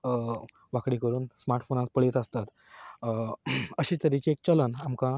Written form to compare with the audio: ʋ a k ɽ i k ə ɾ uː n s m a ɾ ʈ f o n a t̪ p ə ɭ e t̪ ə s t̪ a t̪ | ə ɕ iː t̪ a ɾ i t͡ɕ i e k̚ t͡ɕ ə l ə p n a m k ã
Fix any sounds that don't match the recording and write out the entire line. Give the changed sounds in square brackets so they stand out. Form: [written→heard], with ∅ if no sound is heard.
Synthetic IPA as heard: ʋ a k ɽ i k ə ɾ uː n s m a ɾ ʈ f o n a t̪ p ə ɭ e t̪ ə s t̪ a t̪ | ə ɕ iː t̪ [a→ə] ɾ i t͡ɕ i e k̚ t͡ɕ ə l ə [p→∅] n a m k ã